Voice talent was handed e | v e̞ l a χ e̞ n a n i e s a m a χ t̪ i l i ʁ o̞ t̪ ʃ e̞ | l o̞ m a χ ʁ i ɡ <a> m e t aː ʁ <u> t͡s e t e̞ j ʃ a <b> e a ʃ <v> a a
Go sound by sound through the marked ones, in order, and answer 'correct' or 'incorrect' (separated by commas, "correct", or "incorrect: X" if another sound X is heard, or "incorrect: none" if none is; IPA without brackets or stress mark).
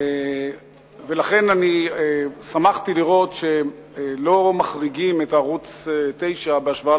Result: incorrect: i, correct, correct, correct